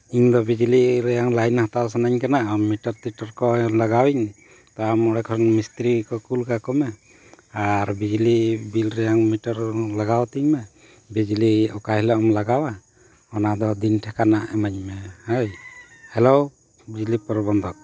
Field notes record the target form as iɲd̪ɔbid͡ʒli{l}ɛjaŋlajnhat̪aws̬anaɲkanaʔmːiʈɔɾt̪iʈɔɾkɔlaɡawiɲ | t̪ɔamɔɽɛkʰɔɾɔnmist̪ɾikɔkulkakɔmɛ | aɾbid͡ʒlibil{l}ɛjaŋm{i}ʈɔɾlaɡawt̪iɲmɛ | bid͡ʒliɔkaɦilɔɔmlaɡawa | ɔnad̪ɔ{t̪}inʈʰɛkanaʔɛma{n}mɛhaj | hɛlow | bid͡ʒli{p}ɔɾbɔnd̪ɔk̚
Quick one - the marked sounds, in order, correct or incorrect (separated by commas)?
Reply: incorrect, incorrect, correct, incorrect, incorrect, correct